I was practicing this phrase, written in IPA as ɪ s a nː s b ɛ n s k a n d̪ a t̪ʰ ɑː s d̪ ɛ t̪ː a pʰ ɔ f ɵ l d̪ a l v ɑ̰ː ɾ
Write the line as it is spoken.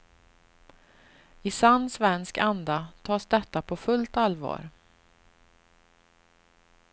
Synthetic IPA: ɪ s a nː s v ɛ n s k a n d̪ a t̪ʰ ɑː s d̪ ɛ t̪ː a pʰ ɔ f ɵ l t̪ a l v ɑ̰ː ɾ